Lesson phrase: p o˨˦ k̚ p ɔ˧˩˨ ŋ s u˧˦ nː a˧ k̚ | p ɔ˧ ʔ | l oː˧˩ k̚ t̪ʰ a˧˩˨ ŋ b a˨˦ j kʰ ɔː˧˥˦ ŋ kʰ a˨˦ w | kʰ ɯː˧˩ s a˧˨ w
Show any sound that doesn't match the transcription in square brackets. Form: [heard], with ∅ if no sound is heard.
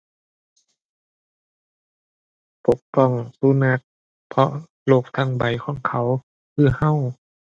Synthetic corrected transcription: p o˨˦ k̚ p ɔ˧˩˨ ŋ s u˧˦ [n] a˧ k̚ | [pʰ] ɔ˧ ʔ | l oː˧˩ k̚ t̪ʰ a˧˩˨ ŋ b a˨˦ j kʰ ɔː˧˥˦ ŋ kʰ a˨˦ w | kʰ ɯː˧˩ [h] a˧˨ w